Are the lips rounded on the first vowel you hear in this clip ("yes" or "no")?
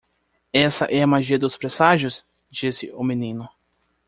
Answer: no